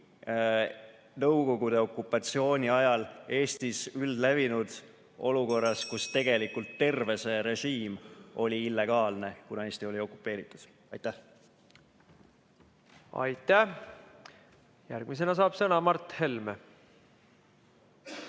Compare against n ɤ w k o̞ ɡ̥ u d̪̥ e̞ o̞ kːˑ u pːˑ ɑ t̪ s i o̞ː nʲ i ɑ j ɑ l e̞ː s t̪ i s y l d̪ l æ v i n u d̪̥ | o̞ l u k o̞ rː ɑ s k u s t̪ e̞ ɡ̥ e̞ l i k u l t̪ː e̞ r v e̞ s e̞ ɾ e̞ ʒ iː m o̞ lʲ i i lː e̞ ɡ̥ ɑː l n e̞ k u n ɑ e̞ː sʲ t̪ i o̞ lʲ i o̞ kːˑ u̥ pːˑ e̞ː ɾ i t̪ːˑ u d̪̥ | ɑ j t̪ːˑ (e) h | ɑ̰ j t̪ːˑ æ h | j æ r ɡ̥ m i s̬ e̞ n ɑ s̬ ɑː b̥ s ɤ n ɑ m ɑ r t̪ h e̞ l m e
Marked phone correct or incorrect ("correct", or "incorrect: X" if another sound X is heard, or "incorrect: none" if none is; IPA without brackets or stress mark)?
incorrect: æ